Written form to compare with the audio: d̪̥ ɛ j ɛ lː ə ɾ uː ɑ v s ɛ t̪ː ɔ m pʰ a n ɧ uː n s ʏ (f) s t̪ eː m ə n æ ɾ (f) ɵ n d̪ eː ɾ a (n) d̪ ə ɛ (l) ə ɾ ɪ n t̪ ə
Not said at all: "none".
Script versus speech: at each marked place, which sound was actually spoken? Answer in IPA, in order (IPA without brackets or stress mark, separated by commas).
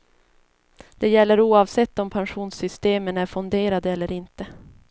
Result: none, f, none, lː